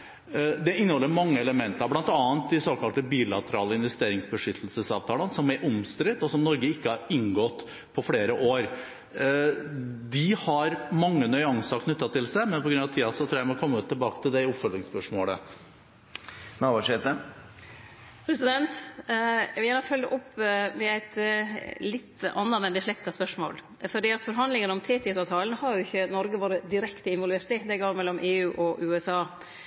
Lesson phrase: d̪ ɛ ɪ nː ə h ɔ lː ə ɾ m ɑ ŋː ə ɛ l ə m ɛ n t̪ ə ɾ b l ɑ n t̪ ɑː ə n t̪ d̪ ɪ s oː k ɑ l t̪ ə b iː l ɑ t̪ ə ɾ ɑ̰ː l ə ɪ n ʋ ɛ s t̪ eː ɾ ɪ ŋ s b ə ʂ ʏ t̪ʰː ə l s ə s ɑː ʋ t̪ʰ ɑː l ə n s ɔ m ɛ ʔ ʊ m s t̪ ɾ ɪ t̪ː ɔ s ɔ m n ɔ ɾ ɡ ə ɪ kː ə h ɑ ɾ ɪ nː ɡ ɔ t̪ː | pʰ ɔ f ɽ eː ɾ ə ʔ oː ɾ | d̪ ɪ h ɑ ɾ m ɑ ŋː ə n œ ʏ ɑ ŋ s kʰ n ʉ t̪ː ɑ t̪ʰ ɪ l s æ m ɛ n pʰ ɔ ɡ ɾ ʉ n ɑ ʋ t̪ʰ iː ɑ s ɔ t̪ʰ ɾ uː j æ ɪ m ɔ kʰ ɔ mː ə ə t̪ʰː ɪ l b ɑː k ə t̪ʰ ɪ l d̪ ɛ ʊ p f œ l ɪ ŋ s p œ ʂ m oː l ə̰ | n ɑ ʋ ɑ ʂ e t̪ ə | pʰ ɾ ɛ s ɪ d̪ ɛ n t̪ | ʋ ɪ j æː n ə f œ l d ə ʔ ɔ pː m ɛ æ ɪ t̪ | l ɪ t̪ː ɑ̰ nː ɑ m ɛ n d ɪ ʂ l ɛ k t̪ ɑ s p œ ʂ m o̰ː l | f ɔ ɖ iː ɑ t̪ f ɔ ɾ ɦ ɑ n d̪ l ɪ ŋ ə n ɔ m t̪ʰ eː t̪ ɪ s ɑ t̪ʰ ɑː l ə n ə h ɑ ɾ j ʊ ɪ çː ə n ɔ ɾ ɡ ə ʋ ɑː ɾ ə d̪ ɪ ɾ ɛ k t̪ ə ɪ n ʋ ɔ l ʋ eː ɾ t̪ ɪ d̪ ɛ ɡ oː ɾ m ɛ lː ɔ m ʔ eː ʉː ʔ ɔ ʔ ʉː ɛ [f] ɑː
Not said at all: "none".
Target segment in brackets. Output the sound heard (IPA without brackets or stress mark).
s